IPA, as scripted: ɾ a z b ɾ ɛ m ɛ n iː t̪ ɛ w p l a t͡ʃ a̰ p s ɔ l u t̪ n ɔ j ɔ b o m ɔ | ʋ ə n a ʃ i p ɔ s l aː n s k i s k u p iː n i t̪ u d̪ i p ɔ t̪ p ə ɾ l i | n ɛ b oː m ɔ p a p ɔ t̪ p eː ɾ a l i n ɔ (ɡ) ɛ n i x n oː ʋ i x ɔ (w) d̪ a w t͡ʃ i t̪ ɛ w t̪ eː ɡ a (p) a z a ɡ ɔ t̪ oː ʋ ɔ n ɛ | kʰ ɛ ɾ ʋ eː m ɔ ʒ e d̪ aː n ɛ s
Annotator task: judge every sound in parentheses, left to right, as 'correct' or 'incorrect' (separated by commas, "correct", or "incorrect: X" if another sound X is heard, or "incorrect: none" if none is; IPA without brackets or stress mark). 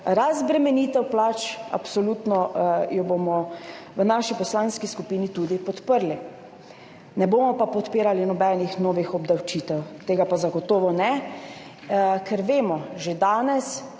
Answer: incorrect: b, incorrect: b, correct